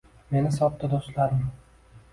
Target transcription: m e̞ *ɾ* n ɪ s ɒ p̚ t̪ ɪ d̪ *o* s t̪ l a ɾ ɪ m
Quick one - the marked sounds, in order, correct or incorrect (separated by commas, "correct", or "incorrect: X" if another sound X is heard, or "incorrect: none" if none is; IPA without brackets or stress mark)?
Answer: incorrect: none, correct